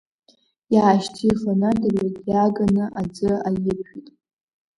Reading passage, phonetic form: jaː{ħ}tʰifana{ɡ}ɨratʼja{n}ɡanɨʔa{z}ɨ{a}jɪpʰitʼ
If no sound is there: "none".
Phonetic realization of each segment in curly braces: ʃ, d, none, d͡z, a

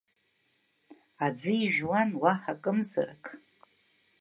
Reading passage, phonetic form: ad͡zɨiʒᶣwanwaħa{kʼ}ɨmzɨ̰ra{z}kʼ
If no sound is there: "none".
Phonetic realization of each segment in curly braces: kʼ, none

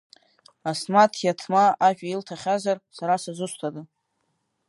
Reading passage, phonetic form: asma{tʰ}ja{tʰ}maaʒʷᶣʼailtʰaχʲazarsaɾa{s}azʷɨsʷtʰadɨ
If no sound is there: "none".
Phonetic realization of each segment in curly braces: tʰ, tʰ, s

